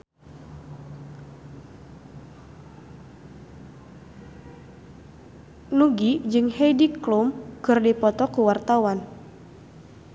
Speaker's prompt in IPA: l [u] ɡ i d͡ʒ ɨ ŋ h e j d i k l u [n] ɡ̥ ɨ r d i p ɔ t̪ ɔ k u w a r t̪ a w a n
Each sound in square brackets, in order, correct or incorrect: correct, incorrect: m

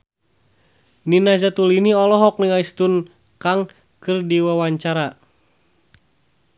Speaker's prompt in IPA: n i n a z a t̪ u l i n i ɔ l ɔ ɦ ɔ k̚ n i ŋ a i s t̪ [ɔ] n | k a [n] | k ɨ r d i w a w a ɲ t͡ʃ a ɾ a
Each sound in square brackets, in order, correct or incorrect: incorrect: u, incorrect: ŋ

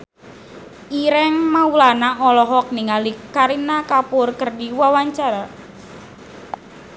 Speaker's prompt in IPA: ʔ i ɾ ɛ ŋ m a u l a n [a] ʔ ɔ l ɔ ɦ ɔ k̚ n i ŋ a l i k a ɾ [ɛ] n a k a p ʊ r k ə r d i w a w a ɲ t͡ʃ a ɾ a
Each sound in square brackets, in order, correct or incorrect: correct, incorrect: i

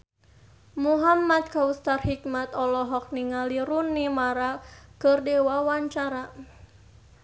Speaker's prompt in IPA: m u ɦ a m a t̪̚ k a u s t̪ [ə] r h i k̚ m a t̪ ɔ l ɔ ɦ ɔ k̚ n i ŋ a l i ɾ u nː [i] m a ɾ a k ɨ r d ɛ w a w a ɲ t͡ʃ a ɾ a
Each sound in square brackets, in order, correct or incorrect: incorrect: a, correct

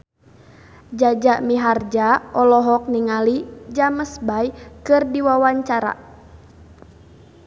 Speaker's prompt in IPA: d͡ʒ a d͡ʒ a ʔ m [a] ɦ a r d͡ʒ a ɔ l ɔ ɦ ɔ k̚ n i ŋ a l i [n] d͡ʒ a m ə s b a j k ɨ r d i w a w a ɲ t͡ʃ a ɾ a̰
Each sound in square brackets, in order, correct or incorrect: incorrect: i, incorrect: none

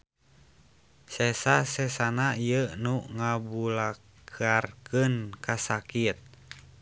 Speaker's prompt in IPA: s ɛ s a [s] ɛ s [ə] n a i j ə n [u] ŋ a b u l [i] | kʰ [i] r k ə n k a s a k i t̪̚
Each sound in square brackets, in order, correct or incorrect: correct, incorrect: a, correct, incorrect: a, incorrect: a

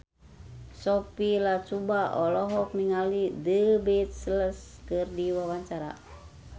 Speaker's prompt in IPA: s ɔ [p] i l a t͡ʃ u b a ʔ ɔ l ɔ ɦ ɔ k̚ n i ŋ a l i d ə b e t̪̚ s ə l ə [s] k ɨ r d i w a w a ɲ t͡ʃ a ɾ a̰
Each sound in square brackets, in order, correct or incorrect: correct, correct

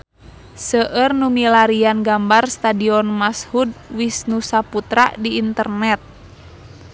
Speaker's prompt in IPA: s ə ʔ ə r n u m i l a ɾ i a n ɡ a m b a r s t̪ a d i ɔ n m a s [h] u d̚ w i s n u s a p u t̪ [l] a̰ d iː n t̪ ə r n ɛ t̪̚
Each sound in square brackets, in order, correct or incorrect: correct, incorrect: ɾ

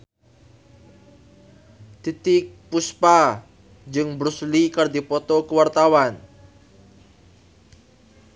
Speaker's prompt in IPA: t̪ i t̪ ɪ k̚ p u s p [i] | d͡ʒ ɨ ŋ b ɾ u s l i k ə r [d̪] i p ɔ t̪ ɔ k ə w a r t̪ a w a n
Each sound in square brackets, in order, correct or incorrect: incorrect: a, correct

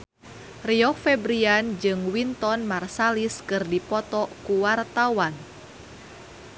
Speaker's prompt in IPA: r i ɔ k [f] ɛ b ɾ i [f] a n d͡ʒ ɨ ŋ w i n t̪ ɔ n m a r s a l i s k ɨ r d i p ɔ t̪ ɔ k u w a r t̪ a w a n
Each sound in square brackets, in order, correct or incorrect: correct, incorrect: none

